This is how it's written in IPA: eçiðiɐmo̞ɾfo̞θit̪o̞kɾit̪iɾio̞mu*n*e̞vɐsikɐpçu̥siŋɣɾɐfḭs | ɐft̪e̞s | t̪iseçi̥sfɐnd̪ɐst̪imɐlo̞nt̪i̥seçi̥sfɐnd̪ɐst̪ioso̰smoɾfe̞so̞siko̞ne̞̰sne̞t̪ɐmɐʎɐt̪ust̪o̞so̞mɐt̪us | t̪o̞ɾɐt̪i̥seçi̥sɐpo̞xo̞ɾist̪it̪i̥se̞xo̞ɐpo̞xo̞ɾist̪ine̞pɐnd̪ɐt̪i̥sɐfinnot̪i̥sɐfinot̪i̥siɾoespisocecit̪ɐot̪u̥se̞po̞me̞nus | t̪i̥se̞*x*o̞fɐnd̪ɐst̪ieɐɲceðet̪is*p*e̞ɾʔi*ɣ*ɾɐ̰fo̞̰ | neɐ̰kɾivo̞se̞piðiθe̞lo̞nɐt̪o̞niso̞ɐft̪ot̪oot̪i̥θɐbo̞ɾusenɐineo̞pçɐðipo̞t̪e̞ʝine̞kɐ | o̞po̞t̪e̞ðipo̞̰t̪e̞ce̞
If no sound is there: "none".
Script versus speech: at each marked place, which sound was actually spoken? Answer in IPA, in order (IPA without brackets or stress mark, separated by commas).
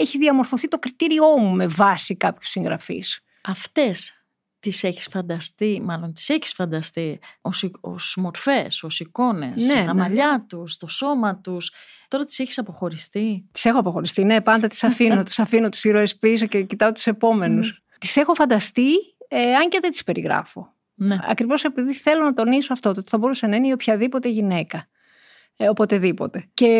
m, x, p, ɣ